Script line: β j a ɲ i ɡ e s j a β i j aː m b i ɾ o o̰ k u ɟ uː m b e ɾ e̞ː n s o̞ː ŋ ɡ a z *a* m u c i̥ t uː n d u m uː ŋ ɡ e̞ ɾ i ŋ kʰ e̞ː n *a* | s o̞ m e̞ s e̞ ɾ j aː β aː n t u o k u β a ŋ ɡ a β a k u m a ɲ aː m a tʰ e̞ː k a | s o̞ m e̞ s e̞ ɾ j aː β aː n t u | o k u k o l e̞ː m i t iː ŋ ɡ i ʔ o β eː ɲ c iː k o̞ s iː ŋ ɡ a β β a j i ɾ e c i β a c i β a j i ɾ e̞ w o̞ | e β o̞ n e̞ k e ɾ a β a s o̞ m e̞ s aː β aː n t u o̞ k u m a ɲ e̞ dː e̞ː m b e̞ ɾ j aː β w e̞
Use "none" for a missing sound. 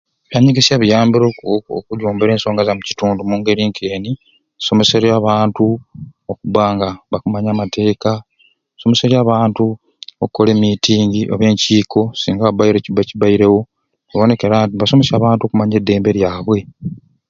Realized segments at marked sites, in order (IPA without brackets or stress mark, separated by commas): a, i